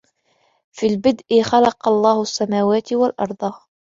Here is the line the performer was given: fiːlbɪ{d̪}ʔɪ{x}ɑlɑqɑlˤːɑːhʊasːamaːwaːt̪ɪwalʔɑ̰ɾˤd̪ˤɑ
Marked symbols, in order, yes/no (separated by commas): yes, yes